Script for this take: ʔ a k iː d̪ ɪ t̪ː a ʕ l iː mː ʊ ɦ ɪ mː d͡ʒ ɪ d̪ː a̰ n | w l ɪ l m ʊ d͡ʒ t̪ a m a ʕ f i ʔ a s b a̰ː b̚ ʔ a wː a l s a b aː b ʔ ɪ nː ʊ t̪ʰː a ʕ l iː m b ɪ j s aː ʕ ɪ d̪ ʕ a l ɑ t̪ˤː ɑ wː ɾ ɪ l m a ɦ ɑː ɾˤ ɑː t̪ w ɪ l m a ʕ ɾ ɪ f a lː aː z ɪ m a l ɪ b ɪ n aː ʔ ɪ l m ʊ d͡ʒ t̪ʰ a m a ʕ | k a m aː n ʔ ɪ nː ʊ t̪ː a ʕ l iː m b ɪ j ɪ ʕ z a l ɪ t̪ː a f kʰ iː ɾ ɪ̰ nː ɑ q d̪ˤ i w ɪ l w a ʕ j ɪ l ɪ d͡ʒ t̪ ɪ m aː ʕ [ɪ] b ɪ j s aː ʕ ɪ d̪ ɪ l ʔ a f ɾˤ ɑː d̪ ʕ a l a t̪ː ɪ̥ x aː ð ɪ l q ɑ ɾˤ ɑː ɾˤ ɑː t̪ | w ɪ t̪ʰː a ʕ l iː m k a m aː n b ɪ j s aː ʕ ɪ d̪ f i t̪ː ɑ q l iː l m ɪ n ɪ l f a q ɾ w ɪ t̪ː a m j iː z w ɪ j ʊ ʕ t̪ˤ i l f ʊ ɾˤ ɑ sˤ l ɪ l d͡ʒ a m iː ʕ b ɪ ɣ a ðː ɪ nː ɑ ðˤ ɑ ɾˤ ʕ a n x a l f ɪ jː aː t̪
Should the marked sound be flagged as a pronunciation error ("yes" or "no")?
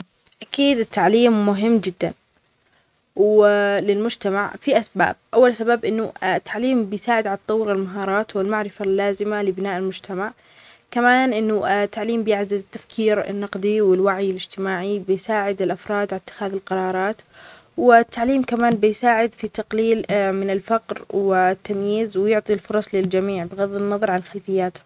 yes